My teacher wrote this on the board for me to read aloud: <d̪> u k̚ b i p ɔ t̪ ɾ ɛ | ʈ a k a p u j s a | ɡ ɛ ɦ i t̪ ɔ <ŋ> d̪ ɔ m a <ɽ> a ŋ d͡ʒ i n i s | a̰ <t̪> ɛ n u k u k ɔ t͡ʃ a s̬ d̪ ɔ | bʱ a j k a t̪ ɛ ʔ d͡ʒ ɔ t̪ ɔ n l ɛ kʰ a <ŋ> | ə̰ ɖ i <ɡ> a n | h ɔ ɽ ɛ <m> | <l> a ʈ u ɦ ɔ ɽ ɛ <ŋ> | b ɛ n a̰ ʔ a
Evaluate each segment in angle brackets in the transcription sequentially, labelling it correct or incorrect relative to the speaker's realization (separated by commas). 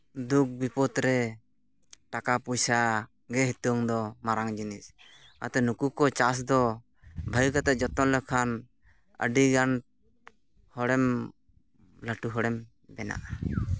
correct, correct, incorrect, correct, incorrect, correct, correct, correct, incorrect